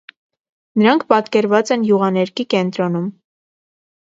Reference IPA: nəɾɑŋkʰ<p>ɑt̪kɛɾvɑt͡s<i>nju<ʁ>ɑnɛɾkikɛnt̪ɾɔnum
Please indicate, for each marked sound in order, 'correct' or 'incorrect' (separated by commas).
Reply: correct, incorrect, correct